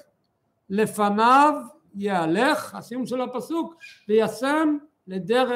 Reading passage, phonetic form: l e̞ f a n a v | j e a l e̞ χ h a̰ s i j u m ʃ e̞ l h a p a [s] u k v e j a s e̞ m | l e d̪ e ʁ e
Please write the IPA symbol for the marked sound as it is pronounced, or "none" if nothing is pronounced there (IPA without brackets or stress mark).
s